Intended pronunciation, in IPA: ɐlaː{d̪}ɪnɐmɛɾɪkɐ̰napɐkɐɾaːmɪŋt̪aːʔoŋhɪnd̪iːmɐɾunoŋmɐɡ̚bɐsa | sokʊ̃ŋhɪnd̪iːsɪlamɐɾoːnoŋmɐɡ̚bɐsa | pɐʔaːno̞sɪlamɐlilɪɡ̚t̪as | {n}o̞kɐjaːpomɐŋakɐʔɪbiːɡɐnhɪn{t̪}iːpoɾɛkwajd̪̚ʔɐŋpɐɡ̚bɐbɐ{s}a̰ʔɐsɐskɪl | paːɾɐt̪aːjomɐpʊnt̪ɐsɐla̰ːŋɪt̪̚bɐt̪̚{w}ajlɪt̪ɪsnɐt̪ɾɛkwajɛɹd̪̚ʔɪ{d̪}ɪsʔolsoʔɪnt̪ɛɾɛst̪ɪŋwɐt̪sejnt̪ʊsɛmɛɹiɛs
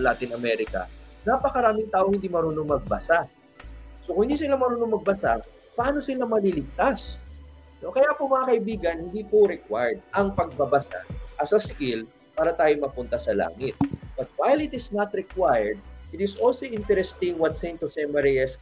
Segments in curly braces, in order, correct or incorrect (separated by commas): incorrect, correct, incorrect, correct, correct, incorrect